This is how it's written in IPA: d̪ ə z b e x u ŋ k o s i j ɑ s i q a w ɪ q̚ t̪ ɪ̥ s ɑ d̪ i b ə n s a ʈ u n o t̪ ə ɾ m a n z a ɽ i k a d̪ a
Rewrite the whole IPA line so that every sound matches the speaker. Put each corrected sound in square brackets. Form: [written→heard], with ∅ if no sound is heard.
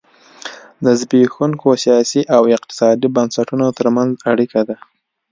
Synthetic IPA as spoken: d̪ ə z b e x u ŋ k o s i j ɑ s i [q→ʔ] a w ɪ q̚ t̪ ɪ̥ s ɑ d̪ i b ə n s a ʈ u n o t̪ ə ɾ m a n z a ɽ i k a d̪ a

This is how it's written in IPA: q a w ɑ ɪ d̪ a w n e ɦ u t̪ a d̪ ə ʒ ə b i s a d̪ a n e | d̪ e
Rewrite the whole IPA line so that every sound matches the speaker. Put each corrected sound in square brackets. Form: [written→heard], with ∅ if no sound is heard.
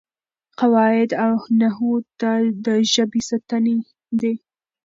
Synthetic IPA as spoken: q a w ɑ ɪ d̪ a w n [e→a] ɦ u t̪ a d̪ ə ʒ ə b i s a [d̪→t̪] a n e | d̪ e

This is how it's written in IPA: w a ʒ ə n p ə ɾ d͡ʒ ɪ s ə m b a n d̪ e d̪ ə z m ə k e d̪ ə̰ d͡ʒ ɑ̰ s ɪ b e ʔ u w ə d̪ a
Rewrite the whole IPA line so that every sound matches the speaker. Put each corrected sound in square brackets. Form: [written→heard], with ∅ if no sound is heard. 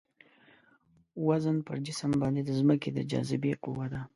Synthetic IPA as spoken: w a [ʒ→z] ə n p ə ɾ d͡ʒ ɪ s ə m b [a→ɑ] n d̪ e d̪ ə z m ə k e d̪ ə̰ d͡ʒ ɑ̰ [s→z] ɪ b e [ʔ→q] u w [ə→a] d̪ a

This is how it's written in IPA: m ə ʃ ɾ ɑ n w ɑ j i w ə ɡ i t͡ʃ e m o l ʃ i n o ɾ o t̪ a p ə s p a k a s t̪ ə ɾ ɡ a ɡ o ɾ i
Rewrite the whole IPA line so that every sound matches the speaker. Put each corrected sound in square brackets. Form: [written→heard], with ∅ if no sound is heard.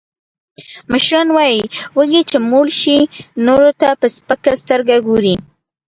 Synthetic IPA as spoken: m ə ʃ ɾ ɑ n w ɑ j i w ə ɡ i t͡ʃ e m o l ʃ i n o ɾ o t̪ a p ə s p [a→ə] k a s t̪ ə ɾ ɡ a ɡ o ɾ i

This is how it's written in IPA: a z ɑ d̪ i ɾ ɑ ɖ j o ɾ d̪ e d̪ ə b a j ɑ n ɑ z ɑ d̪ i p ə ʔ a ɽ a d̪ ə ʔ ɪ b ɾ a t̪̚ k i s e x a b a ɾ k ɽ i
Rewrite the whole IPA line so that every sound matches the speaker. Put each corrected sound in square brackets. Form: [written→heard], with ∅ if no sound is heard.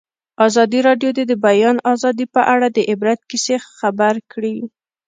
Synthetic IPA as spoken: [a→ɑ] z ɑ d̪ i ɾ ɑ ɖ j o [ɾ→∅] d̪ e d̪ ə b a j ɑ n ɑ z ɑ d̪ i p ə ʔ a ɽ a d̪ ə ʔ ɪ b ɾ a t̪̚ k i s e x a b a ɾ k ɽ i

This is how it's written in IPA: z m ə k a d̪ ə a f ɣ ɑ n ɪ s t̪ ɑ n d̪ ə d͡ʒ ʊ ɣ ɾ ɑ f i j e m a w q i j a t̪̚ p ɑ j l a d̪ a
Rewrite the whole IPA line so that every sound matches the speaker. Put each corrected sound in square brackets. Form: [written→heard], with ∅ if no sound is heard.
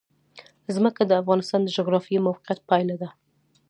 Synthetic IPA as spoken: z m ə k a d̪ ə a f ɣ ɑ n ɪ s t̪ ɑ n d̪ ə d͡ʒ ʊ ɣ ɾ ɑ f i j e m a w q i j a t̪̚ p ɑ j l a d̪ a

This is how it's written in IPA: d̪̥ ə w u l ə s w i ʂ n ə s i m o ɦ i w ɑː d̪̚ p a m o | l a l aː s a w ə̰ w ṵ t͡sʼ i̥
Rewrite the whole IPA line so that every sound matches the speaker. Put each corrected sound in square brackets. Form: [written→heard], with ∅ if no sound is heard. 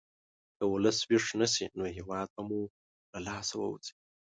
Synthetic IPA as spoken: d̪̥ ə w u l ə s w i ʂ n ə s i [m→n] o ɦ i w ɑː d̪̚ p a m [o→u] | l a l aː s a w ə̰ w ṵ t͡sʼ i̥

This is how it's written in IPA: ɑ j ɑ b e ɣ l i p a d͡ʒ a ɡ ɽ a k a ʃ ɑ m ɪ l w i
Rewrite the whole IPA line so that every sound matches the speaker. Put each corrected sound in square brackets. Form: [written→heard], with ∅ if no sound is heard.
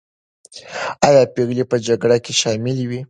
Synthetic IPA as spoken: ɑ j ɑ [b→p] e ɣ l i p [a→ə] d͡ʒ a ɡ ɽ a k [a→e] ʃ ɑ m ɪ l w i

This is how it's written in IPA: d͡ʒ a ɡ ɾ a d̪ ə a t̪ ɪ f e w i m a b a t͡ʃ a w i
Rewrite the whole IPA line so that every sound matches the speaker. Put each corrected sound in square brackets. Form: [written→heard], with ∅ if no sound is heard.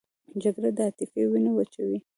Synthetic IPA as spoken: d͡ʒ a ɡ ɾ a d̪ ə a t̪ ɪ f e w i [m→n] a [b→w] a t͡ʃ a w i

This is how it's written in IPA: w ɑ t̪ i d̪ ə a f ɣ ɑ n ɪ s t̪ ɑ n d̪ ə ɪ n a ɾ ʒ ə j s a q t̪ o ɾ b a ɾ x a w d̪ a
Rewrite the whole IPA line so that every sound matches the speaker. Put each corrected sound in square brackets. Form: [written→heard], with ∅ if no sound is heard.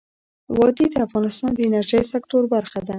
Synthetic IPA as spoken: w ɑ [t̪→d̪] i d̪ ə a f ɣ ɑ n ɪ s t̪ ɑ n d̪ ə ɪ n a ɾ ʒ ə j s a [q→k] t̪ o ɾ b a ɾ x a [w→∅] d̪ a

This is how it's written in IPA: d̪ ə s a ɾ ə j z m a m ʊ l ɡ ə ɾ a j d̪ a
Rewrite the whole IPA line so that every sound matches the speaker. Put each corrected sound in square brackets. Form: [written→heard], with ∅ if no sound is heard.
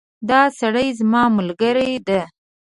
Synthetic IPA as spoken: d̪ [ə→ɑ] s a [ɾ→ɽ] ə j z m [a→ɑ] m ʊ l ɡ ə ɾ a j d̪ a

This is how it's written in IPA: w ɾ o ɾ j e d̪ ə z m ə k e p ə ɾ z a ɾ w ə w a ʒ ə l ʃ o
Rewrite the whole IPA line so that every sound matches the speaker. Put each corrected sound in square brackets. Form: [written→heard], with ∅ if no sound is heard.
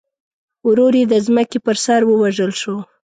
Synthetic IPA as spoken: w ɾ o ɾ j e d̪ ə z m ə k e p ə ɾ [z→s] a ɾ w ə w a ʒ ə l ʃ o

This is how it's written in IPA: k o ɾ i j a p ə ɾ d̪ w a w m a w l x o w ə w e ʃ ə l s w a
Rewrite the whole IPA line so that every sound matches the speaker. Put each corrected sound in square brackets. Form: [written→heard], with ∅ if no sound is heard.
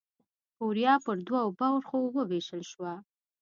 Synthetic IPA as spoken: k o ɾ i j [a→ɑ] p ə ɾ d̪ w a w [m→b] a w [l→ɾ] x o w ə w e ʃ ə l [s→ʃ] w a

